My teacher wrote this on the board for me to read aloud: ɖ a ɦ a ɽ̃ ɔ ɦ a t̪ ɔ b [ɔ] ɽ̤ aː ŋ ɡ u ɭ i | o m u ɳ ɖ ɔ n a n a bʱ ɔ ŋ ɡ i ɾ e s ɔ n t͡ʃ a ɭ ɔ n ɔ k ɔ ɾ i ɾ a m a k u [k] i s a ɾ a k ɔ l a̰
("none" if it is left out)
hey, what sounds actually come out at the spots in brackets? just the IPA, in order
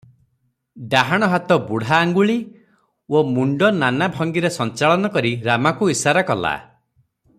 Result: u, none

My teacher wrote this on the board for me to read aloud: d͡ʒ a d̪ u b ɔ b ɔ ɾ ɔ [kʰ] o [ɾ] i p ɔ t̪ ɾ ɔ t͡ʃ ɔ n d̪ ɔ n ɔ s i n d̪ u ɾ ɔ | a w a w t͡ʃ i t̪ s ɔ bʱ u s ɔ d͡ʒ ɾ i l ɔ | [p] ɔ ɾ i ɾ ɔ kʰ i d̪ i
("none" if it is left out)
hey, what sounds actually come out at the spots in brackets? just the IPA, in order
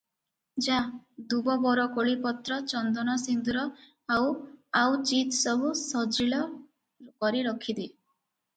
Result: k, ɭ, k

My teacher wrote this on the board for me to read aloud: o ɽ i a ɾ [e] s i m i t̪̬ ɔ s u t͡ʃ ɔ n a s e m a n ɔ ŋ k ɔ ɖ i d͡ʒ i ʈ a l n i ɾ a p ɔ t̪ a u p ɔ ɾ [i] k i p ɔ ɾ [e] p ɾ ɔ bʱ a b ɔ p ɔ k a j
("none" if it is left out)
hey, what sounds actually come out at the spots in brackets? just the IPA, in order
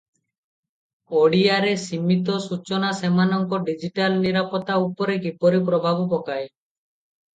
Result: e, e, i

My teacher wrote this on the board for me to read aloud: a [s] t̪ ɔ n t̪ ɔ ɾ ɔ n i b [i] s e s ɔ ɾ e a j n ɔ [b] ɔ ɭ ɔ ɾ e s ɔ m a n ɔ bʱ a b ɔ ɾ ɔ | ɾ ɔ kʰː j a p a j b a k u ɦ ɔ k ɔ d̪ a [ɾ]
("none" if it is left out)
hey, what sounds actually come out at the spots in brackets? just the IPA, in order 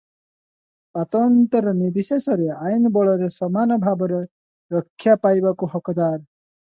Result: none, i, b, ɾ

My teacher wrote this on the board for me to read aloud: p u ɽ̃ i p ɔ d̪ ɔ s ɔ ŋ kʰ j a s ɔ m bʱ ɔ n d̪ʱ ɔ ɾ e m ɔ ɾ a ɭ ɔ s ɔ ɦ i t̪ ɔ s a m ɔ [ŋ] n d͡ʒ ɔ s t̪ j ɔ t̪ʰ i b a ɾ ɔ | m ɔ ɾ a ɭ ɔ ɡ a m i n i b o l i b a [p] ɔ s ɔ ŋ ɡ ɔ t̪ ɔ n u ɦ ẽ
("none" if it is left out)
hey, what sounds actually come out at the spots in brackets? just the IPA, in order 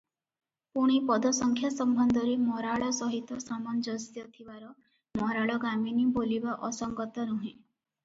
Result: none, ʔ

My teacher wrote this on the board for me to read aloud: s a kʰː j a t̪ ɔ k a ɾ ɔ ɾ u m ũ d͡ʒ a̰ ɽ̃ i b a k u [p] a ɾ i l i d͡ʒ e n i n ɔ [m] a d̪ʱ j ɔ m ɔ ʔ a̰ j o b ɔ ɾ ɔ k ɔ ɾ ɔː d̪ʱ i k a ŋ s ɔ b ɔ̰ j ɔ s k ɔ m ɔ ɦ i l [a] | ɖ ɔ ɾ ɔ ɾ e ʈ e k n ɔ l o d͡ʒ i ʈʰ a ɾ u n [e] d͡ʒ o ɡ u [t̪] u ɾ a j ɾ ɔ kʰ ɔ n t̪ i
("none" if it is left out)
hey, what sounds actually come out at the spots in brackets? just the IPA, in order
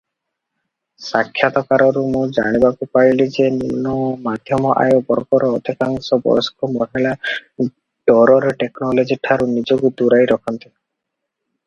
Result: p, m, a, i, d̪

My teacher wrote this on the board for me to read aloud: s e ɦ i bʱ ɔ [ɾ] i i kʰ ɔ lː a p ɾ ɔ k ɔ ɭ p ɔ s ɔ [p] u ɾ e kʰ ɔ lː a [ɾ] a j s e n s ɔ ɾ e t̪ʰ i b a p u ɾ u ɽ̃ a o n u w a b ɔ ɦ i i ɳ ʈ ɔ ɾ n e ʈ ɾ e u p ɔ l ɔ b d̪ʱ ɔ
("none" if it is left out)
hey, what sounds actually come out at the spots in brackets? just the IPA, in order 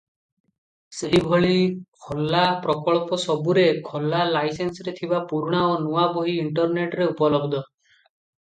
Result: ɭ, b, l

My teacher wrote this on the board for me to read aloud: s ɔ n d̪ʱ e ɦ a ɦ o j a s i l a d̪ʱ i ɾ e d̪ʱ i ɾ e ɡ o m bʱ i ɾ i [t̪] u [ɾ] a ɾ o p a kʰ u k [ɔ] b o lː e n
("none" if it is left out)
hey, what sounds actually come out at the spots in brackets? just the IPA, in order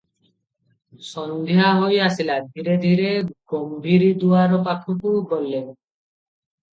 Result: d̪, none, u

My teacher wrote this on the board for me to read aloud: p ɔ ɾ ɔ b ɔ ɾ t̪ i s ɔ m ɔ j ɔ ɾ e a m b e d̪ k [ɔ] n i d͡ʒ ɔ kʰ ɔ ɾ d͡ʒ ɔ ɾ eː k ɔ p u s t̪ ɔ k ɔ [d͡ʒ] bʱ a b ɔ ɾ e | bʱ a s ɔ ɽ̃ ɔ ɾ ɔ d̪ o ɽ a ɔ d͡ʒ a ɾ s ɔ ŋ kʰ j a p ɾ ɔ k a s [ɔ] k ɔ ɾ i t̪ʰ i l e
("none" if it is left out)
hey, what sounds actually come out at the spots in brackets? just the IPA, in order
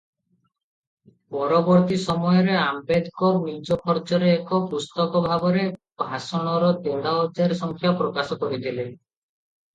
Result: ɔ, none, ɔ

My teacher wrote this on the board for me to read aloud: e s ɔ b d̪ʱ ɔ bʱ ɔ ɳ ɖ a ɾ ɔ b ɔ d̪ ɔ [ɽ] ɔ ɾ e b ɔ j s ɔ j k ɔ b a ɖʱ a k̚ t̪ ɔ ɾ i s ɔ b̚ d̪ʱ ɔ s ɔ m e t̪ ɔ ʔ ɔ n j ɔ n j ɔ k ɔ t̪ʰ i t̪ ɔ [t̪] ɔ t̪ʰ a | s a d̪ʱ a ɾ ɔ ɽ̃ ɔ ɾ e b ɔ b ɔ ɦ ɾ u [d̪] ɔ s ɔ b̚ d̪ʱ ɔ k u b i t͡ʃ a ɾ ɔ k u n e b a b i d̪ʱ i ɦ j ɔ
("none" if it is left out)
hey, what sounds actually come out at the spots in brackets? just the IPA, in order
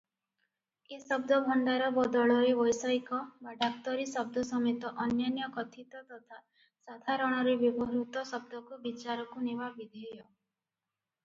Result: ɭ, t̪, t̪

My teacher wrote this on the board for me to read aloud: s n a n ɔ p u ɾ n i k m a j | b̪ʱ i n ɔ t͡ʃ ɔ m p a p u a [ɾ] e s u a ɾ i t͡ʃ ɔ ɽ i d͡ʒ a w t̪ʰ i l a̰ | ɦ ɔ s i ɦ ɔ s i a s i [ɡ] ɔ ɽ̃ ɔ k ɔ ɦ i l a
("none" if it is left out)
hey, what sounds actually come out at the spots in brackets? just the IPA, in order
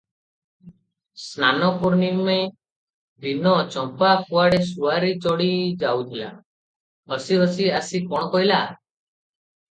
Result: ɽ, k

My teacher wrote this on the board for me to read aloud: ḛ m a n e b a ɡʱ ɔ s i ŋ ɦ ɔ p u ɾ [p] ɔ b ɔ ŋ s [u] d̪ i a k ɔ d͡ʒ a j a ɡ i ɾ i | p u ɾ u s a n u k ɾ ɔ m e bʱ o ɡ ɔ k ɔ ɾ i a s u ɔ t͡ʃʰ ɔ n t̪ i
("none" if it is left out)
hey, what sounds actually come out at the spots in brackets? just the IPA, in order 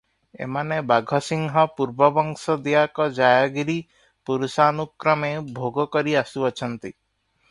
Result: b, ɔ

